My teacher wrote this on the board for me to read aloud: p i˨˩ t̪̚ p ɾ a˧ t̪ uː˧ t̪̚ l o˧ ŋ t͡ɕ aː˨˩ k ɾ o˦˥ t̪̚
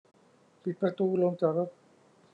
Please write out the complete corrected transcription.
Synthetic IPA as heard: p i˨˩ t̪̚ p ɾ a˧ t̪ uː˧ l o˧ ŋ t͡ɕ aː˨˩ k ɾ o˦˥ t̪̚